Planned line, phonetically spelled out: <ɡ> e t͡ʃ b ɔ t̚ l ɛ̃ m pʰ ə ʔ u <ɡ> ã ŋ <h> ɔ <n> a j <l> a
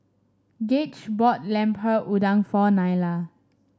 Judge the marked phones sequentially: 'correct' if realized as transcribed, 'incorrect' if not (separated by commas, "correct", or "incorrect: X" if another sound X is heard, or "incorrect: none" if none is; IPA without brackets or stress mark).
correct, incorrect: d, incorrect: f, correct, correct